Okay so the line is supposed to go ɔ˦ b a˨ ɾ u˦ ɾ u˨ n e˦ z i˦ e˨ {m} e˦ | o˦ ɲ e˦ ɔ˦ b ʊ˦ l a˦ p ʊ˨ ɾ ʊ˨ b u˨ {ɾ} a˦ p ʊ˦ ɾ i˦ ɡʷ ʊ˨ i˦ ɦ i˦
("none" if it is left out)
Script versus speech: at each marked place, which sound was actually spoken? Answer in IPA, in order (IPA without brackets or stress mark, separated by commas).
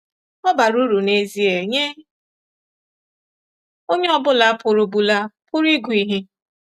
ɲ, l